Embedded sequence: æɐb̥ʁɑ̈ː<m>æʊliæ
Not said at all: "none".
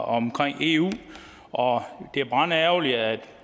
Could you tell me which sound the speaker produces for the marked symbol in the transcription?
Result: n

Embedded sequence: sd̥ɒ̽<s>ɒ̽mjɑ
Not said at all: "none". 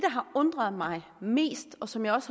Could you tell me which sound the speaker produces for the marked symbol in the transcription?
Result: s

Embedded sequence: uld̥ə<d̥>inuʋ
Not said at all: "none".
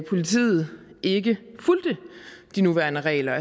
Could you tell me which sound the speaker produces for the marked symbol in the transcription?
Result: d̥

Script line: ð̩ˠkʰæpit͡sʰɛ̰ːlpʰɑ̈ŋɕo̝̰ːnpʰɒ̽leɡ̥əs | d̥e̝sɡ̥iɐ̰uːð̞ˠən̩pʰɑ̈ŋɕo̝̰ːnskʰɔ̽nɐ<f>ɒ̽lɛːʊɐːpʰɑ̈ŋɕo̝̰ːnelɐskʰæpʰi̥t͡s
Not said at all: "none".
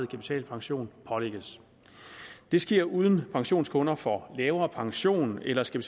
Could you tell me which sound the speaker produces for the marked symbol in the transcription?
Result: f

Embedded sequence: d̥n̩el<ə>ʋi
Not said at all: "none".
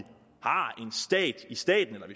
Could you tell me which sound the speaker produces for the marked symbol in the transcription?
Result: ɐ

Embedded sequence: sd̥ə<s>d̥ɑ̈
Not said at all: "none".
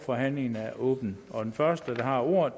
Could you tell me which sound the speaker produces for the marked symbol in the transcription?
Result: none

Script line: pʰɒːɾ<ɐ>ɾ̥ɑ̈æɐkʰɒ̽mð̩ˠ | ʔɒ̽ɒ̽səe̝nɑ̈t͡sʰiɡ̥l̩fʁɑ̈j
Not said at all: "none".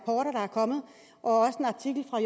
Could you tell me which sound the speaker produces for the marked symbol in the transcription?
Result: ɐ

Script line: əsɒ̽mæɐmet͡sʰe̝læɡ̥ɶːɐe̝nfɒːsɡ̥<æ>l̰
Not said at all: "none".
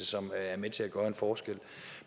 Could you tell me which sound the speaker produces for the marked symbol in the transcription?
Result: e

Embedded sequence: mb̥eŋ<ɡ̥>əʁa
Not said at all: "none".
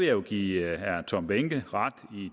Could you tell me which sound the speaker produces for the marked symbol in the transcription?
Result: ɡ̥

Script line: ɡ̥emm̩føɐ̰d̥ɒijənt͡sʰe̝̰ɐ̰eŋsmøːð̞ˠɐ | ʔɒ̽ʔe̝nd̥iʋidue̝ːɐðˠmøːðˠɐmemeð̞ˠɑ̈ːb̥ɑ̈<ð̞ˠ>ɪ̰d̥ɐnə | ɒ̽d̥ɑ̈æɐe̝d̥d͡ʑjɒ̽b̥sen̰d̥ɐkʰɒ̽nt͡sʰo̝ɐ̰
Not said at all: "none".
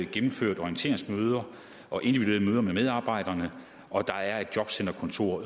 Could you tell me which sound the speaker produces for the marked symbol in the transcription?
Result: none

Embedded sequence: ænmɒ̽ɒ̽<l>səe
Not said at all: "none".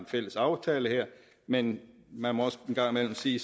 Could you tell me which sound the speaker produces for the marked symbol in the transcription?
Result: none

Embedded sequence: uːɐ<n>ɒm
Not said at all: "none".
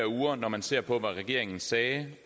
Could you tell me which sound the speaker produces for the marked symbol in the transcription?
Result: n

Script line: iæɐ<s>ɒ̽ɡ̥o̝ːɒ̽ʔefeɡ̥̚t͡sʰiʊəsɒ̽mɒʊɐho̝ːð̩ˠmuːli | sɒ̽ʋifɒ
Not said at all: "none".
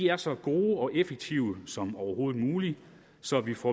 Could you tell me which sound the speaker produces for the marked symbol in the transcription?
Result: s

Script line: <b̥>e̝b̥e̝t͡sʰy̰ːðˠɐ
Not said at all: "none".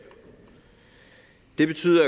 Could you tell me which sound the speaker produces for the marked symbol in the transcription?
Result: d̥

